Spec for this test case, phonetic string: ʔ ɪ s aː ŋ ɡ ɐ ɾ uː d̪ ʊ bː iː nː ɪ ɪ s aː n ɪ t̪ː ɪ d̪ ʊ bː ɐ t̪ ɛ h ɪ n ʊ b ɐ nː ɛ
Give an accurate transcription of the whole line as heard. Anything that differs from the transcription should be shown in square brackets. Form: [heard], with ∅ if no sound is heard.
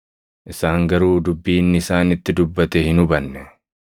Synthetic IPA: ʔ ɪ s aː ŋ ɡ ɐ ɾ uː d̪ ʊ bː iː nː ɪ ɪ s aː n ɪ t̪ː ɪ d̪ ʊ bː ɐ t̪ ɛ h ɪ n ʊ b ɐ nː ɛ